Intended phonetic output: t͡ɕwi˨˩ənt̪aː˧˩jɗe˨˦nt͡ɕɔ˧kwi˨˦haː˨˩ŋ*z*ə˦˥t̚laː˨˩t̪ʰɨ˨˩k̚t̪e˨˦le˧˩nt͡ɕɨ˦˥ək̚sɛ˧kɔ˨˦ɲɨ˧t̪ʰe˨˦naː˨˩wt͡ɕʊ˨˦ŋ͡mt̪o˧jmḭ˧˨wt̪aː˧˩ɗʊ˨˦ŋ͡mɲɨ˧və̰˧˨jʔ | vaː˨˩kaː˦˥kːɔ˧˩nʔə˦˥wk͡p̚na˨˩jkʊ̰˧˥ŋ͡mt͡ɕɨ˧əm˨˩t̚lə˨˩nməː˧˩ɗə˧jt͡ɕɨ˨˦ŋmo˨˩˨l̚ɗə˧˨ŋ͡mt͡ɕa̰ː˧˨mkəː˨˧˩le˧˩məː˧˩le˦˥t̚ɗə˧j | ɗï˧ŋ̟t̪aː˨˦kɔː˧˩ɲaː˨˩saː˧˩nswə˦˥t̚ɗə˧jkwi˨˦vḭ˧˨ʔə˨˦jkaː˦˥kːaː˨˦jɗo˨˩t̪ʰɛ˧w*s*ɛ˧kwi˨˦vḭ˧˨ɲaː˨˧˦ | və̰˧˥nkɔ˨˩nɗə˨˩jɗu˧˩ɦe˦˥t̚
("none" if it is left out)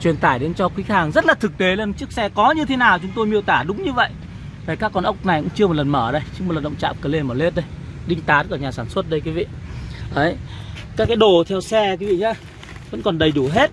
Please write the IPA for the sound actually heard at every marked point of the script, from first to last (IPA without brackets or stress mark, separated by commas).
z, s